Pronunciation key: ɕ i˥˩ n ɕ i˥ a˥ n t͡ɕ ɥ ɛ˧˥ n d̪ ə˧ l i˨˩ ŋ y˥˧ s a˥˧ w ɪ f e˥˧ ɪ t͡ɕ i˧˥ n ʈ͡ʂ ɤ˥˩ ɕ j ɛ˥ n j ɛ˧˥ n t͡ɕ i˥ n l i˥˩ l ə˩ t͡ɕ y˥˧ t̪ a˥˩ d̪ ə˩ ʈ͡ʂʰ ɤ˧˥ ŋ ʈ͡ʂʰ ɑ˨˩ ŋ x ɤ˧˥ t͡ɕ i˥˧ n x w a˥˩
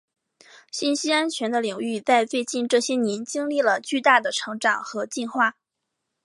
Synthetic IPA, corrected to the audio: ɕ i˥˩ n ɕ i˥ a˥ n t͡ɕʰ ɥ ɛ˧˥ n d̪ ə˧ l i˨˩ ŋ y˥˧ t͡s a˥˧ ɪ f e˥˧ ɪ t͡ɕ i˥˧ n ʈ͡ʂ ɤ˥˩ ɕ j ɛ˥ n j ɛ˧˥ n t͡ɕ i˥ ŋ l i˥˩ l ə˩ t͡ɕ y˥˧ t̪ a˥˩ d̪ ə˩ ʈ͡ʂʰ ɤ˧˥ ŋ ʈ͡ʂ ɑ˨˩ ŋ x ɤ˧˥ t͡ɕ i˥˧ n x w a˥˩